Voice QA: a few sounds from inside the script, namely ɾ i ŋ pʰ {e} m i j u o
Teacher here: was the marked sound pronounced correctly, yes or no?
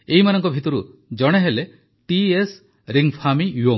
no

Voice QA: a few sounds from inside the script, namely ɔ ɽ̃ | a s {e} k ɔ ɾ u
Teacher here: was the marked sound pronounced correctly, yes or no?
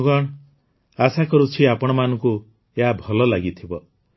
no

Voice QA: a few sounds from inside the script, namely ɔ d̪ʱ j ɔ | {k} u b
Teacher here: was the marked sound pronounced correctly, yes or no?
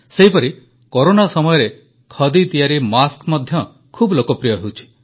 no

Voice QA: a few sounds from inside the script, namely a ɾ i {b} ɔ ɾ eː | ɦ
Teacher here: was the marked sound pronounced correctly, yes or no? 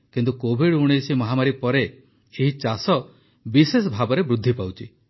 no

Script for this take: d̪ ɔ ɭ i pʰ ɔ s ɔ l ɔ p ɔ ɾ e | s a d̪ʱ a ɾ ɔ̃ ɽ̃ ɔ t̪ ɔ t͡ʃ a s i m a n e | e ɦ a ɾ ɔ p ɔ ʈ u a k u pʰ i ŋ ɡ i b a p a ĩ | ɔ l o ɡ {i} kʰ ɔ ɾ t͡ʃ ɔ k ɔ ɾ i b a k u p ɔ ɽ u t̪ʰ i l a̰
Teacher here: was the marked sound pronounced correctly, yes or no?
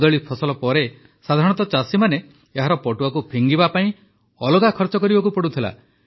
no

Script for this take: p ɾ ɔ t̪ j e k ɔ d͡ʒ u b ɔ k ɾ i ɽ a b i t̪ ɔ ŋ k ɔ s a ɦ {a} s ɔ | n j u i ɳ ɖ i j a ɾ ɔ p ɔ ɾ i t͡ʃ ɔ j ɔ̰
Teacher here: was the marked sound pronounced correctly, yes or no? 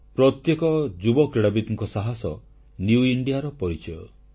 yes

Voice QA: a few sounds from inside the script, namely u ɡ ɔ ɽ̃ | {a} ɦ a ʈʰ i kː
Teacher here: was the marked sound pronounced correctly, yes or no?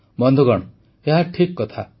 no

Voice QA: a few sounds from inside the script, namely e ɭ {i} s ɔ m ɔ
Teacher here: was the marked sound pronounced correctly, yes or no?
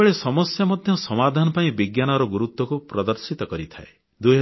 no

